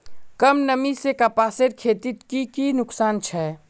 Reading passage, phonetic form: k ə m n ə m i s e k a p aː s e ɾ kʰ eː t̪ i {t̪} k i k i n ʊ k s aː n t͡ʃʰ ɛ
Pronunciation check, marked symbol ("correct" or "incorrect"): correct